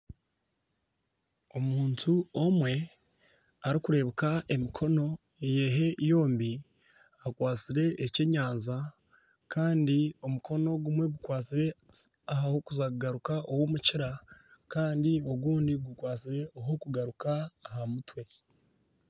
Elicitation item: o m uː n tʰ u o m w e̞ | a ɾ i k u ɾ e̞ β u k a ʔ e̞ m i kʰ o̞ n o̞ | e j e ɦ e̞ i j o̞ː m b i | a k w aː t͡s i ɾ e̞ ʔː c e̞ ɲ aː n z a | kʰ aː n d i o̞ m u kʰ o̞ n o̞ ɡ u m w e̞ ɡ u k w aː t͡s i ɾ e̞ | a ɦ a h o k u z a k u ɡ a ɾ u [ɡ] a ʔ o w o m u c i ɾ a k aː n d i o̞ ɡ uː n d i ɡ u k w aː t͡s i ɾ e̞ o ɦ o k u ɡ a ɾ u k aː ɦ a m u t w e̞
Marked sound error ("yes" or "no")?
yes